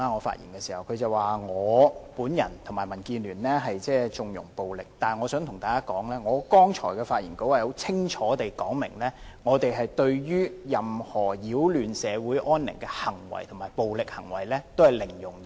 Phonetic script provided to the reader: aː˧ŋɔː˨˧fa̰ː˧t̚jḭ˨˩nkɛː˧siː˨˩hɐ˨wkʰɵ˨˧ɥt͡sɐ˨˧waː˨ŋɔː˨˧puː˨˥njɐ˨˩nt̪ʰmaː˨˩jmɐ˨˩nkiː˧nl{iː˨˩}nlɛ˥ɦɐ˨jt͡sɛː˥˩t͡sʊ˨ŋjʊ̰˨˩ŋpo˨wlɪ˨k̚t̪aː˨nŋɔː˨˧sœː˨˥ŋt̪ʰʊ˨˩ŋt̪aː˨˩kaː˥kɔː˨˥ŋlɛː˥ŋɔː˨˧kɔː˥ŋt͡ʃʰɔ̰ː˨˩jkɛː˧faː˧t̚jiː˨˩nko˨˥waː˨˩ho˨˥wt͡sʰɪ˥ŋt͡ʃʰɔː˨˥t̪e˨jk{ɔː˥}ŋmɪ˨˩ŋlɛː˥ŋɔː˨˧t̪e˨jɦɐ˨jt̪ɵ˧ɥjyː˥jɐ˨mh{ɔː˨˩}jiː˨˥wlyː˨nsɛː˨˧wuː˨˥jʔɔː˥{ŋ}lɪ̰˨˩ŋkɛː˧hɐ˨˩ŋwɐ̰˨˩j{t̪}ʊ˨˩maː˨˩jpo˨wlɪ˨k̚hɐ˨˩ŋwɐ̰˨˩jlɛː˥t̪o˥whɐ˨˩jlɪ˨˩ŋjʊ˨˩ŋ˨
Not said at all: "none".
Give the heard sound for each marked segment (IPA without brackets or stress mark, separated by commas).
yː˨˩, ɔː˨˥, ɔː˨˩, n, t̪ʰ